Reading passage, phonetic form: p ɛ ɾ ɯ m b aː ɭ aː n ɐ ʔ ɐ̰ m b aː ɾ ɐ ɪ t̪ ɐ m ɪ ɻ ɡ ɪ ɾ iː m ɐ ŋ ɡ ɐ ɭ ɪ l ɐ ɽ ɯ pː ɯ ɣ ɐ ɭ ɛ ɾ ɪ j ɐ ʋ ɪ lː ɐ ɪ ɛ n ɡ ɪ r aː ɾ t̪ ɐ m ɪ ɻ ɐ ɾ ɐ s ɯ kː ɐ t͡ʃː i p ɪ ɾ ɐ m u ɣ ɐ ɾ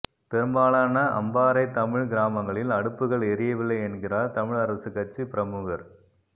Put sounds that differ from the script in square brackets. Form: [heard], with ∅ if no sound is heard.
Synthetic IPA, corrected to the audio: p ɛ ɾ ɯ m b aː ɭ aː n ɐ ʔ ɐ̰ m b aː ɾ ɐ ɪ t̪ ɐ m ɪ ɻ ɡ ɪ ɾ [aː] m ɐ ŋ ɡ ɐ ɭ ɪ l ɐ ɽ ɯ pː ɯ ɣ ɐ ɭ ɛ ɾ ɪ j ɐ ʋ ɪ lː ɐ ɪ ɛ n ɡ ɪ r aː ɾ t̪ ɐ m ɪ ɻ ɐ ɾ ɐ s ɯ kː ɐ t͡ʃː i p ɪ ɾ ɐ m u ɣ ɐ ɾ